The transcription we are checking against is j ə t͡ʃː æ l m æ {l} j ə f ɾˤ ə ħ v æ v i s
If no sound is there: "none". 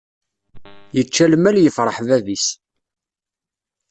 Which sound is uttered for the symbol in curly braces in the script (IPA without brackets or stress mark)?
l